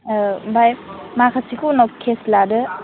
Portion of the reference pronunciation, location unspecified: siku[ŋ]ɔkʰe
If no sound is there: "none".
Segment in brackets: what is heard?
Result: n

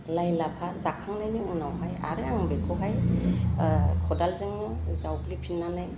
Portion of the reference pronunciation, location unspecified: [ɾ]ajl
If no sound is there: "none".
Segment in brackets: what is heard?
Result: l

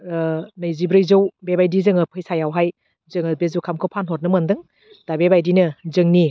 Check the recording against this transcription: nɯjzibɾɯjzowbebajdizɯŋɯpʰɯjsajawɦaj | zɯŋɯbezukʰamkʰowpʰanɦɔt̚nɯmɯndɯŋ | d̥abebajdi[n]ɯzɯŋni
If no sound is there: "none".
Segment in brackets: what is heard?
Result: n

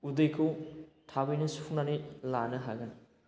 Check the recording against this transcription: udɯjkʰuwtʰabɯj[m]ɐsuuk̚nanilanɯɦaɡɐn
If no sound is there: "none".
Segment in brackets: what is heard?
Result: n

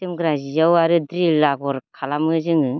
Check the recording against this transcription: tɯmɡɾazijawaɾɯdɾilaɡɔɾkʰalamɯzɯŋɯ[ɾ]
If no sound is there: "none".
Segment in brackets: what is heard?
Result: none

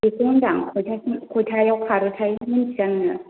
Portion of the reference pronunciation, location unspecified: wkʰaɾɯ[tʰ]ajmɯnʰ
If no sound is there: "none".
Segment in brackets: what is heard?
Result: tʰ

